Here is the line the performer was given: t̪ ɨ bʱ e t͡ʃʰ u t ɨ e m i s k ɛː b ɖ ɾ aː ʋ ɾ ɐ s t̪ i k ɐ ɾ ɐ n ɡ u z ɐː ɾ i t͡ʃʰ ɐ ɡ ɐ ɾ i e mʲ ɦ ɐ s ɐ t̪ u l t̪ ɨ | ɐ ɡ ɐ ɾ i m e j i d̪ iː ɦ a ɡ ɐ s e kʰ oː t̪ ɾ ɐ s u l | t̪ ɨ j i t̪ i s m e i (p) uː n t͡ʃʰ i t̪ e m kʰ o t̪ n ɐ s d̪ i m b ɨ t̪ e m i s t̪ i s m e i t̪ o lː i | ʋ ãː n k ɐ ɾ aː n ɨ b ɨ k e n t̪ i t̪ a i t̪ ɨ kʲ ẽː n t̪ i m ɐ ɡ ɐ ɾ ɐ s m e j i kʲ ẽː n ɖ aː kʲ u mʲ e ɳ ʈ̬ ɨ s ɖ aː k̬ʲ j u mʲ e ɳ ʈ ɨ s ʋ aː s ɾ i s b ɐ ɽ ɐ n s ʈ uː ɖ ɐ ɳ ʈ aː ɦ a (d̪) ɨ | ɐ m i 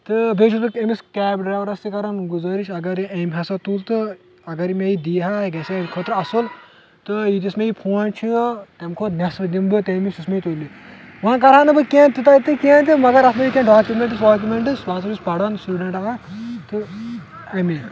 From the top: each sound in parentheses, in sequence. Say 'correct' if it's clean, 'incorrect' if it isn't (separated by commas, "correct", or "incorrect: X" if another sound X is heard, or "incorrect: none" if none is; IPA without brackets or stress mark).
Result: incorrect: pʰ, incorrect: t̪